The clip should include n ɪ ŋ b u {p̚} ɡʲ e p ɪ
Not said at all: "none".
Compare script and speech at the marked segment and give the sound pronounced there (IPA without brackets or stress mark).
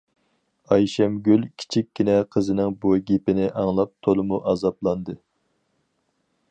none